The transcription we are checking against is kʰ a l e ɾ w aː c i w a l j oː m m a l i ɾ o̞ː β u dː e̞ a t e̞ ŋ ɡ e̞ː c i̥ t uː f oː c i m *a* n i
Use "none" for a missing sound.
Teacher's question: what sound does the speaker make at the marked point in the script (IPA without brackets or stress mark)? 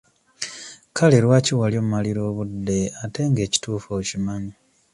a